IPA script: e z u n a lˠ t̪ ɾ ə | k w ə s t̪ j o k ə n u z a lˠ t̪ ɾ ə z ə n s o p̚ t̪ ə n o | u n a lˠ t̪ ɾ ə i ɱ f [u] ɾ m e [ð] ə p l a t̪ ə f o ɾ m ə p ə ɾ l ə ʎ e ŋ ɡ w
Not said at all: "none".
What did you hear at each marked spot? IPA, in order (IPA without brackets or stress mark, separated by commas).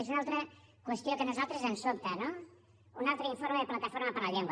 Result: o, ð